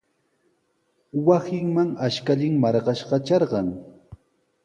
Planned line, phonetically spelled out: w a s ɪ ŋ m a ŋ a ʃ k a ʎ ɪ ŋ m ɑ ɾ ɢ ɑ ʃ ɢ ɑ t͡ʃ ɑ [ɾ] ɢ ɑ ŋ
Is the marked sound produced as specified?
yes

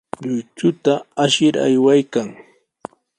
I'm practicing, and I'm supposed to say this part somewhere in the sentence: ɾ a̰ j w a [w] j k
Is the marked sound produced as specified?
no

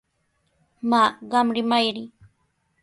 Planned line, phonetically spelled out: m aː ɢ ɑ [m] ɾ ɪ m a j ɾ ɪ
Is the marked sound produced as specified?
yes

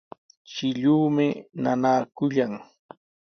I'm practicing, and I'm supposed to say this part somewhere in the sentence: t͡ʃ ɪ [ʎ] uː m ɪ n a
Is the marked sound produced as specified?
yes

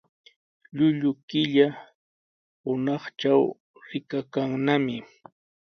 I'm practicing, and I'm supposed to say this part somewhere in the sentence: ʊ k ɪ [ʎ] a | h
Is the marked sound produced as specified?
yes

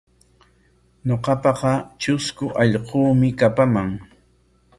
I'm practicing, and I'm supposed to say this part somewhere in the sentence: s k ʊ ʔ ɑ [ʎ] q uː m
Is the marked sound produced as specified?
yes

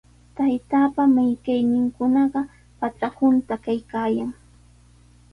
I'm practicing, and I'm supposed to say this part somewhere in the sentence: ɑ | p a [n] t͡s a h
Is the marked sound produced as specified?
no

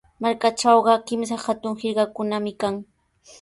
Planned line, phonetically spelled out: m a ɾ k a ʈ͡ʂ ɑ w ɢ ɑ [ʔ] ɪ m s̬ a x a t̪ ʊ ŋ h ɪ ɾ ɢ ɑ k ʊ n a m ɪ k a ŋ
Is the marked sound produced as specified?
no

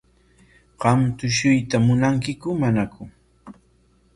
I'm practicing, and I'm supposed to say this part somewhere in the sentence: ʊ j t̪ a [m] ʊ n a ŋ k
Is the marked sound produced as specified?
yes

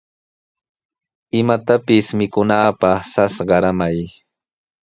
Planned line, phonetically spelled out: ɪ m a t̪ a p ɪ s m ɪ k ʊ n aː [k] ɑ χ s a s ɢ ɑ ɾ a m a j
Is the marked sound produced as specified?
no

